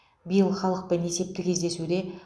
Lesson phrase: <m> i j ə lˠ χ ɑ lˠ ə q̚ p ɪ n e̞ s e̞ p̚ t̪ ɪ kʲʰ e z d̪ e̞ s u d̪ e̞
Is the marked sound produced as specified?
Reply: no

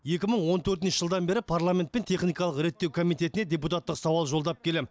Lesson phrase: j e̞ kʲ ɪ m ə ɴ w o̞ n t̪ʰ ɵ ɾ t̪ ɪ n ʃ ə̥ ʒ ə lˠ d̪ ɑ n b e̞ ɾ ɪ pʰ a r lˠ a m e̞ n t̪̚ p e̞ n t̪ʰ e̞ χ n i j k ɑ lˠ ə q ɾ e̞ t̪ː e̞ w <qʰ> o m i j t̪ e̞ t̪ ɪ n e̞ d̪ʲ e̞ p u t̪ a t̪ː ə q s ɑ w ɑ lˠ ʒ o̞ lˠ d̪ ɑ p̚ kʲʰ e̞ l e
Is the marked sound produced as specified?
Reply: no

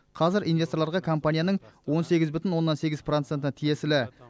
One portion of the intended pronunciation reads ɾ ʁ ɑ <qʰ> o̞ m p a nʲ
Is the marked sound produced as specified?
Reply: no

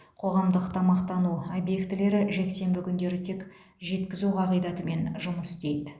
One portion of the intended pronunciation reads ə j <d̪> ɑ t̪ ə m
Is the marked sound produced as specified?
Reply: yes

